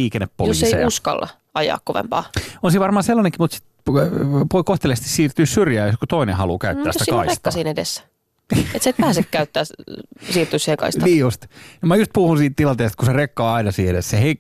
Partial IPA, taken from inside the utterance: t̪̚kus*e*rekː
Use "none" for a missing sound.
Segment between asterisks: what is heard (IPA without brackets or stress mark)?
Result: e